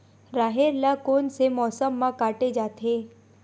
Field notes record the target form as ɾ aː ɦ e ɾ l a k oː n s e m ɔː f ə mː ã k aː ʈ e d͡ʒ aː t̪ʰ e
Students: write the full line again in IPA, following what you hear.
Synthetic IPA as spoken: ɾ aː ɦ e ɾ l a k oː n s e m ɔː s ə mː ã k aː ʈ e d͡ʒ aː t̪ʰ e